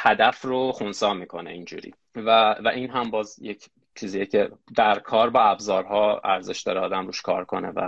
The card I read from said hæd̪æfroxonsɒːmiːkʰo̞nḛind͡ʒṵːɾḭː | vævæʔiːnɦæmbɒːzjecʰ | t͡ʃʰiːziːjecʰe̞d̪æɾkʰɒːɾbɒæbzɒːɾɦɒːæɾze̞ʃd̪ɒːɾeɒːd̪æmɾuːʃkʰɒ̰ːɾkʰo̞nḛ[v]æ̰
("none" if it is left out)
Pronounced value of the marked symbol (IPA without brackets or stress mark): v